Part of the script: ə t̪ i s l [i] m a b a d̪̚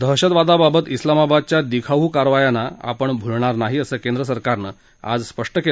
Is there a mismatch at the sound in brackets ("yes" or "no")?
yes